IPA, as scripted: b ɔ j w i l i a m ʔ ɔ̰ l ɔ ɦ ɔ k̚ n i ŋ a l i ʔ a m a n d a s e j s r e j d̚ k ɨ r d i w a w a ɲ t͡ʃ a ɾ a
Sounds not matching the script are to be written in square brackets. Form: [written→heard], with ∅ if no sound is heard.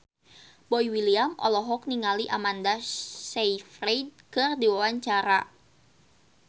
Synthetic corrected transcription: b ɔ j w i l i a m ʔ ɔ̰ l ɔ ɦ ɔ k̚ n i ŋ a l i ʔ a m a n d a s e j [s→f] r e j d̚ k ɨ r d i w a w a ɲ t͡ʃ a ɾ a